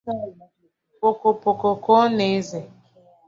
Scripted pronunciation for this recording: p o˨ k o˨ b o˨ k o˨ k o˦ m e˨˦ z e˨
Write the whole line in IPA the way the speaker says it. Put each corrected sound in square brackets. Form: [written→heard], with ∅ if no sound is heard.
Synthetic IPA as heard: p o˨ k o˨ [b→p] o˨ k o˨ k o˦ [m→n] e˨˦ z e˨